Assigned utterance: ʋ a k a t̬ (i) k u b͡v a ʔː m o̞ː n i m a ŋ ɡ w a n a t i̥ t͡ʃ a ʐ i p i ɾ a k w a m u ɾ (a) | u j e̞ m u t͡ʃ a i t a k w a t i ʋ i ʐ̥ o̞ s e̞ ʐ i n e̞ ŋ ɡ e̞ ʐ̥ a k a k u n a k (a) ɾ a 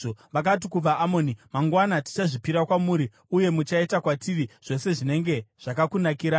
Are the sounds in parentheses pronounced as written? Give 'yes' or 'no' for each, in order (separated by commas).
yes, no, no